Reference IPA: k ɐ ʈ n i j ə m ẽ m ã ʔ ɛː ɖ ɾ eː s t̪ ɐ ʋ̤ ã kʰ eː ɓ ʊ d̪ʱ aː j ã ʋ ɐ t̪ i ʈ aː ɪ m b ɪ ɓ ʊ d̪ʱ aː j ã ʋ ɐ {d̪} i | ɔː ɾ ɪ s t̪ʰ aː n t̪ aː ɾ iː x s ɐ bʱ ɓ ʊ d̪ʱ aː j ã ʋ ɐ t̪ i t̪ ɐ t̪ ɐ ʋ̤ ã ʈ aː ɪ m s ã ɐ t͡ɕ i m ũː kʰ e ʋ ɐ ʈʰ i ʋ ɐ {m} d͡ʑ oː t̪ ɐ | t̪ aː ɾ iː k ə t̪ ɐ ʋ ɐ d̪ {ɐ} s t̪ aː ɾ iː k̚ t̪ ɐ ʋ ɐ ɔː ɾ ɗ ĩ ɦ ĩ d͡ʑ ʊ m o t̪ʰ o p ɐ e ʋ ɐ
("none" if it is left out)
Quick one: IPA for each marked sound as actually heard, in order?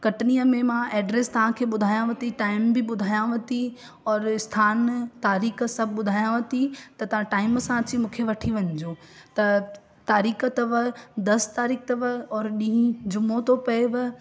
t̪, ɲ, ɐ

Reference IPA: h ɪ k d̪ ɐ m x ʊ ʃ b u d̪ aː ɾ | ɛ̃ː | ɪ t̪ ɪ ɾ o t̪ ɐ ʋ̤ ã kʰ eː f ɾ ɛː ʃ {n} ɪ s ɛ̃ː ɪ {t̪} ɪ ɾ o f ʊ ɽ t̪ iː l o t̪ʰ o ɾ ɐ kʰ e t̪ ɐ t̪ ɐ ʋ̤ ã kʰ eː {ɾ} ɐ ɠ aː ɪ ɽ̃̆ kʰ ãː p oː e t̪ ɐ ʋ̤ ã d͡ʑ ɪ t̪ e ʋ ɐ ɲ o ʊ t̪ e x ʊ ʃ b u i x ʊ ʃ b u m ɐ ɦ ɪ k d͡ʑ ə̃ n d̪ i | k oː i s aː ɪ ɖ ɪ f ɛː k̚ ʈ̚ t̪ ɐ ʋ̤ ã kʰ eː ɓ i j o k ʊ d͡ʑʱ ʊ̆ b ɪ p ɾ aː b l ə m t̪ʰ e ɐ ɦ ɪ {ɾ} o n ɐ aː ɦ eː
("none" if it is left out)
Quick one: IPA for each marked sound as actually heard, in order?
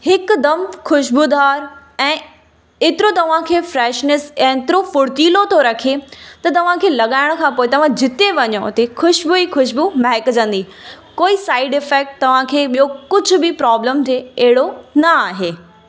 n, t̪, l, ɽ

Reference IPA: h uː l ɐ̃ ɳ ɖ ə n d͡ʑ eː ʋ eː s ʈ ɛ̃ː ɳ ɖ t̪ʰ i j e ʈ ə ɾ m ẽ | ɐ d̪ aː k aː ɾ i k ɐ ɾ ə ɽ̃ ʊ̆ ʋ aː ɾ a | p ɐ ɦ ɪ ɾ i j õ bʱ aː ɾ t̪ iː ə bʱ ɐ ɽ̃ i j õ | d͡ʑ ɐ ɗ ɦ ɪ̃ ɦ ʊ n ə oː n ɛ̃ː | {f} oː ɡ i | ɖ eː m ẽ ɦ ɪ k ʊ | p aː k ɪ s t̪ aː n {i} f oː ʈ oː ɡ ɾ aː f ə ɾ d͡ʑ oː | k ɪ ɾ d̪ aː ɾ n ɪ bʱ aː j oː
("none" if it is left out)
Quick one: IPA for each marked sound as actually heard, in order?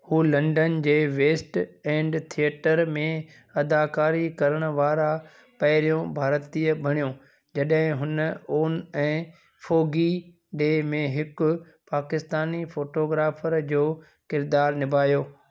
f, i

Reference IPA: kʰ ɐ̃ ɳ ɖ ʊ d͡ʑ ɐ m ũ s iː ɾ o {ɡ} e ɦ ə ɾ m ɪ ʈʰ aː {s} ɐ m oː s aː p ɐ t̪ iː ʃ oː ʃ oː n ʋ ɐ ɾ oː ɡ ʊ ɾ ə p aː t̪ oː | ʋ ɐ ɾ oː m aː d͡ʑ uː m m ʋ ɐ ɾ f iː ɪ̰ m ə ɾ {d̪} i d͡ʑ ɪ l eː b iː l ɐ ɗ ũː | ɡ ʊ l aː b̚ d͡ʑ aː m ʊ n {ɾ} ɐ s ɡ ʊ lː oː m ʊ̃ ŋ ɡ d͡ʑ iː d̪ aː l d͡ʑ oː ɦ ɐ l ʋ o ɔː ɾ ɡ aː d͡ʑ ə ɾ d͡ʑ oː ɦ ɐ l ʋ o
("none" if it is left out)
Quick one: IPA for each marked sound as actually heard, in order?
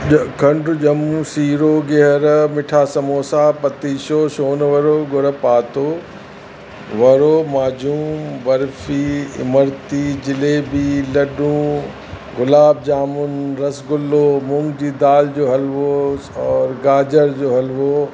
ɡ, s, t̪, ɾ

